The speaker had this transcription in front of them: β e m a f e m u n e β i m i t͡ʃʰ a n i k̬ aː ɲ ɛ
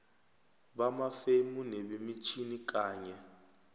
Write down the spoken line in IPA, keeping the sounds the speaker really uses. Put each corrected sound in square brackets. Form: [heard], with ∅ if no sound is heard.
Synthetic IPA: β [a] m a f e m u n e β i m i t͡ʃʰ [i] n i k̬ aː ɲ ɛ